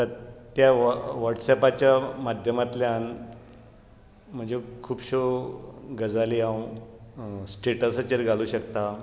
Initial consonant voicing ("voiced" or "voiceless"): voiceless